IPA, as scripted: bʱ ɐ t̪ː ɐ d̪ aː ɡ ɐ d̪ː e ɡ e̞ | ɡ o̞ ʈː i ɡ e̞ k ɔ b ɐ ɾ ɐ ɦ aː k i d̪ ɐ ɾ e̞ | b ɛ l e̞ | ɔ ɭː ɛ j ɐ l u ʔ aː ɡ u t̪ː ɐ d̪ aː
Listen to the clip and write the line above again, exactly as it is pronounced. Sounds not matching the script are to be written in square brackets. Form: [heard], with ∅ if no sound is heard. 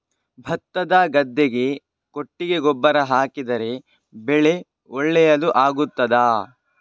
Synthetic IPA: bʱ ɐ t̪ː ɐ d̪ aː ɡ ɐ d̪ː e ɡ e̞ | [k] o̞ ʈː i ɡ e̞ [ɡ] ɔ [bː] ɐ ɾ ɐ ɦ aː k i d̪ ɐ ɾ e̞ | b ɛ [ɭ] e̞ | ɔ ɭː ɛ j ɐ l u ʔ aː ɡ u t̪ː ɐ d̪ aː